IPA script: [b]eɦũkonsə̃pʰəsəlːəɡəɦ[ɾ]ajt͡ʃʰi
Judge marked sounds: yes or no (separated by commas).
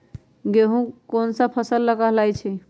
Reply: no, no